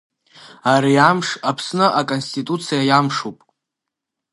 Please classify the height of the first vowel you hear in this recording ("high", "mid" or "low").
low